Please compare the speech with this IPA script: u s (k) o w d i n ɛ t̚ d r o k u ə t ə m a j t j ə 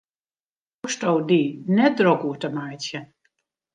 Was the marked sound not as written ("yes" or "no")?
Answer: yes